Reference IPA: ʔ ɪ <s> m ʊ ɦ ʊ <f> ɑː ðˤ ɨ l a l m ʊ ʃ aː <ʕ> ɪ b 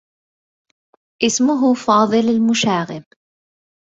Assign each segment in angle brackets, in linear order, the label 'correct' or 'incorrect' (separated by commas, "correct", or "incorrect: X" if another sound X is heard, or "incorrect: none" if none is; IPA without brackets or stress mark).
correct, correct, incorrect: ɣ